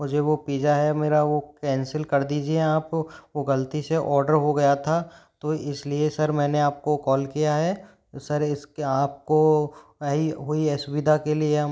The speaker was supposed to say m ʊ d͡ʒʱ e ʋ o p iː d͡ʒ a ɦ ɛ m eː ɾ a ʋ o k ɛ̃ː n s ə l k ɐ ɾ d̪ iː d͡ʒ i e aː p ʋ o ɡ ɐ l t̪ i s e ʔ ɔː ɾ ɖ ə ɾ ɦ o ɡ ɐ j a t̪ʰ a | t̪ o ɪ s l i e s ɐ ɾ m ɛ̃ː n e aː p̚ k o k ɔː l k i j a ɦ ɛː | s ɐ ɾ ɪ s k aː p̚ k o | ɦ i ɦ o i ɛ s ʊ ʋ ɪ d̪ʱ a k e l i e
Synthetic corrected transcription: m ʊ d͡ʒʱ e ʋ o p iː d͡ʒ a ɦ ɛ m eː ɾ a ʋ o k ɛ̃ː n s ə l k ɐ ɾ d̪ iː d͡ʒ i e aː p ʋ o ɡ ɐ l t̪ i s e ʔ ɔː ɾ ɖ ə ɾ ɦ o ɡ ɐ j a t̪ʰ a | t̪ o ɪ s l i e s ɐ ɾ m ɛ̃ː n e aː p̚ k o k ɔː l k i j a ɦ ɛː | s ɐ ɾ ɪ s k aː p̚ k o | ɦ i ɦ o i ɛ s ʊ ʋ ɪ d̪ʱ a k e l i e

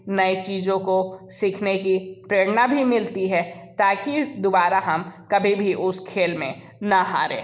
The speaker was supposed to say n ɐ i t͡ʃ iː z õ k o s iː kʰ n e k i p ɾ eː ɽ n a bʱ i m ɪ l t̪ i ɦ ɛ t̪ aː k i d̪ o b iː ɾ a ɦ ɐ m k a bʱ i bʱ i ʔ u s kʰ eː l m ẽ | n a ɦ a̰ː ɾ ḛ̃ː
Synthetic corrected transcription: n ɐ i t͡ʃ iː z õ k o s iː kʰ n e k i p ɾ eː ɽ n a bʱ i m ɪ l t̪ i ɦ ɛ t̪ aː k i d̪ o b aː ɾ a ɦ ɐ m k ɐ bʱ i bʱ i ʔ ʊ s kʰ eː l m ẽ | n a ɦ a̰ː ɾ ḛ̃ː

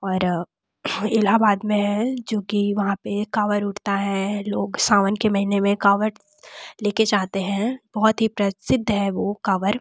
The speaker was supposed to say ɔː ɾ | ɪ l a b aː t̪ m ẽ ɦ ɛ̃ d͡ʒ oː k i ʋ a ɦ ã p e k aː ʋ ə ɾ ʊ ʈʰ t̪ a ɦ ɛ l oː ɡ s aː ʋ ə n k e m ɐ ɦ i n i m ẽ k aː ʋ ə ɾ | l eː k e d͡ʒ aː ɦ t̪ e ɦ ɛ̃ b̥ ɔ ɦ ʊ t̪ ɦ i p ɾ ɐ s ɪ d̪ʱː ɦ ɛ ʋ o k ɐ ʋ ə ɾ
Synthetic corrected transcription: ɔː ɾ | ɪ l a b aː d̪ m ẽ ɦ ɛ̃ d͡ʒ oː k i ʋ ɐ ɦ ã p e k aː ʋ ə ɾ ʊ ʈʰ t̪ a ɦ ɛ l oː ɡ s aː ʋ ə n k e m ɐ ɦ i n e m ẽ k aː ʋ ə ɾ | l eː k e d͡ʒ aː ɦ t̪ e ɦ ɛ̃ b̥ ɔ ɦ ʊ t̪ ɦ i p ɾ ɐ s ɪ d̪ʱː ɦ ɛ ʋ o k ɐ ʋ ə ɾ

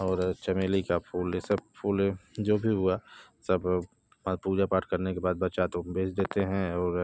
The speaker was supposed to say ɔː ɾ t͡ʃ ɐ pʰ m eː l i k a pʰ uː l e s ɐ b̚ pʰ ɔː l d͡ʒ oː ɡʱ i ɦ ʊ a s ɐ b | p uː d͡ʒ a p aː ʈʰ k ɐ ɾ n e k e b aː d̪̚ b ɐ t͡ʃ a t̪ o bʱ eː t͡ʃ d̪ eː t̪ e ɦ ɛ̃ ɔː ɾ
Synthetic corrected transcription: ɔː ɾ t͡ʃ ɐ m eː l i k a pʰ uː l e s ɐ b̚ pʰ uː l d͡ʒ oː bʱ i ɦ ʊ a s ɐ b | p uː d͡ʒ a p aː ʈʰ k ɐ ɾ n e k e b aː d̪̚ b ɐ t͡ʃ a t̪ o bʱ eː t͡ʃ d̪ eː t̪ e ɦ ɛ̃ ɔː ɾ

